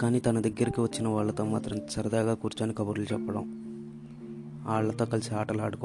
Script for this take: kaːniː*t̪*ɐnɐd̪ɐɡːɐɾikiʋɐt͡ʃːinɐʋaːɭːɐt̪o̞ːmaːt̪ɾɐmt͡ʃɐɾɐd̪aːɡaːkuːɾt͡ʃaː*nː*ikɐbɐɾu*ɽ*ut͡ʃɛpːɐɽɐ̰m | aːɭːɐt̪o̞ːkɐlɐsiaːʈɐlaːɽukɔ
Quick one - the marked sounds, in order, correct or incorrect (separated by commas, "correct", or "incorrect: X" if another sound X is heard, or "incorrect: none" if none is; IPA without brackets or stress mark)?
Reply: correct, incorrect: n, incorrect: l